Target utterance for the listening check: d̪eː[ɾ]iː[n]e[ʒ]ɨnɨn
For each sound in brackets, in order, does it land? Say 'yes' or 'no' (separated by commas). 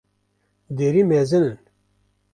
yes, no, no